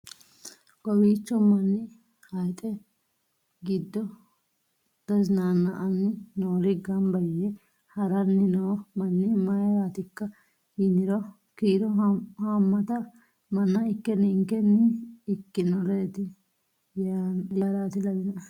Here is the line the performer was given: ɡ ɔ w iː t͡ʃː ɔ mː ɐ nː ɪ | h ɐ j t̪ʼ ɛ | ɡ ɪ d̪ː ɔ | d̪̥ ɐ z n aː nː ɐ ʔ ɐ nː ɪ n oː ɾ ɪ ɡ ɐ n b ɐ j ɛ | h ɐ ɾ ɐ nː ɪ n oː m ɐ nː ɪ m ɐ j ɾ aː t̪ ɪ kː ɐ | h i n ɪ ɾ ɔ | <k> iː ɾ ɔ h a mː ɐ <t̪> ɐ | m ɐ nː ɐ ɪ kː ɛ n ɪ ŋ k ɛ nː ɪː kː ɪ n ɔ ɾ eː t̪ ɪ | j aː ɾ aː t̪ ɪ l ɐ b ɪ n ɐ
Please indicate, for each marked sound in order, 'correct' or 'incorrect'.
correct, correct

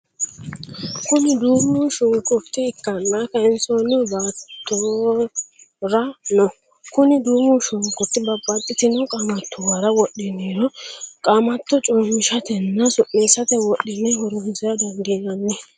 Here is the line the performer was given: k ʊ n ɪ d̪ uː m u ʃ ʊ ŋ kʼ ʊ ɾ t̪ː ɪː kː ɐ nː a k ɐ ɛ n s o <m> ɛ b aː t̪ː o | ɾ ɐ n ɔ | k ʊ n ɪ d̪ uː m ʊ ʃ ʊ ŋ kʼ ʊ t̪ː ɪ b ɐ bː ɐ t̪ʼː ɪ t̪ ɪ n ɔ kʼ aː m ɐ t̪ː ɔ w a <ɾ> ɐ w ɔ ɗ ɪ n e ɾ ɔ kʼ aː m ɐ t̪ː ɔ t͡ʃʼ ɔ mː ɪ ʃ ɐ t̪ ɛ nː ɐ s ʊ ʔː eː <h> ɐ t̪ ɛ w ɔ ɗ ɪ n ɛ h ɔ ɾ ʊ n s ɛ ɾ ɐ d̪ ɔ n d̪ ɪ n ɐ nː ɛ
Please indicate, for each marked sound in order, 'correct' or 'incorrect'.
incorrect: n, correct, incorrect: s

